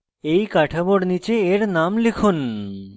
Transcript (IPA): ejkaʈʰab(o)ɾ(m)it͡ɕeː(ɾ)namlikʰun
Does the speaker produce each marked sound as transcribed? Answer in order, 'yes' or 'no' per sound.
yes, no, yes

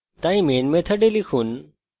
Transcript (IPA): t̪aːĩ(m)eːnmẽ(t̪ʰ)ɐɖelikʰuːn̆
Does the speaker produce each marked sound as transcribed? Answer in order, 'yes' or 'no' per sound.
yes, yes

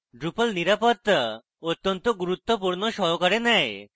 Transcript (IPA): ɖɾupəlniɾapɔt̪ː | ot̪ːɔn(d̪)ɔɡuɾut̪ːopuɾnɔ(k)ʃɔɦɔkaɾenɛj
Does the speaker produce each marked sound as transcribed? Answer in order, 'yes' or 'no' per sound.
no, no

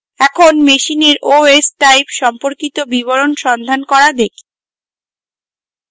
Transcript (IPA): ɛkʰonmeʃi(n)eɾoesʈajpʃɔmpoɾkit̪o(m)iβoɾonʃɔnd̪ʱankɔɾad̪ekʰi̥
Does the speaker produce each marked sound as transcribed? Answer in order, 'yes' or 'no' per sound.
yes, no

